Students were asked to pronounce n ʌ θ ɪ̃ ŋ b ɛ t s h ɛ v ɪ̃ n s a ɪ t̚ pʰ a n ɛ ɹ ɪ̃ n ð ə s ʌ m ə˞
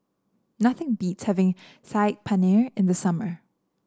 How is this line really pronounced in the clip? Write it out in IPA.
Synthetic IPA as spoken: n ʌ θ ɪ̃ ŋ b i t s h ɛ v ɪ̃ ŋ s a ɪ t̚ pʰ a n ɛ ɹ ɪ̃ n ð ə s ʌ m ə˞